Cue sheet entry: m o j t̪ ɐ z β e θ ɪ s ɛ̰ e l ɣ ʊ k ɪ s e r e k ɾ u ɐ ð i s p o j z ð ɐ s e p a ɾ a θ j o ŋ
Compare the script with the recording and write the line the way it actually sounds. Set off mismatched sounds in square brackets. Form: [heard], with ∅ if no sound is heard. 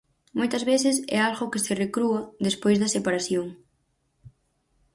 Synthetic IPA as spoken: m o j t̪ ɐ z β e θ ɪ s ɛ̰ [a] l ɣ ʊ k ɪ s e r e k ɾ u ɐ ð [e] s p o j z ð ɐ s e p a ɾ a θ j o ŋ